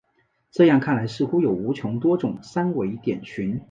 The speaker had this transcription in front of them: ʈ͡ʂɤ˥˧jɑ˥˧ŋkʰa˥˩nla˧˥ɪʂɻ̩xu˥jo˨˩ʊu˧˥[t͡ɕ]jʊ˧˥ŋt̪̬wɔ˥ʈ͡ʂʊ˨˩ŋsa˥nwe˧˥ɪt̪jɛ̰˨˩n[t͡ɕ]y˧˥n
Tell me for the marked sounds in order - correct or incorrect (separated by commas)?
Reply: incorrect, incorrect